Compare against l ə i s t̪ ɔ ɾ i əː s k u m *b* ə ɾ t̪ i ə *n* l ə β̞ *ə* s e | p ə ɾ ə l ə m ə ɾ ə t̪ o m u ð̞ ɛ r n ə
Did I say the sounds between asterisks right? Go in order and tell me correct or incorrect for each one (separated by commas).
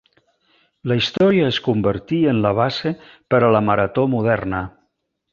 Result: correct, correct, incorrect